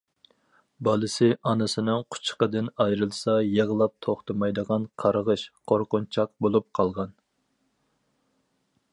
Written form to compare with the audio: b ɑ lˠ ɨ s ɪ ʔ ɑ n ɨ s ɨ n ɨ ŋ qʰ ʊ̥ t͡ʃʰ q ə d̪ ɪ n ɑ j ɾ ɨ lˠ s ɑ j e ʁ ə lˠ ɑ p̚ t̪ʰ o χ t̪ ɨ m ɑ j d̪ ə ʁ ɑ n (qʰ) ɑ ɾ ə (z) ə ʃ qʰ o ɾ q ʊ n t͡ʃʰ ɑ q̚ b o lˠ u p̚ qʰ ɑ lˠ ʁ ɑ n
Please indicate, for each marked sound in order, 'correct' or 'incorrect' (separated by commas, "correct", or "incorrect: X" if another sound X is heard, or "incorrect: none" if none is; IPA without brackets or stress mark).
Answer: correct, incorrect: ʁ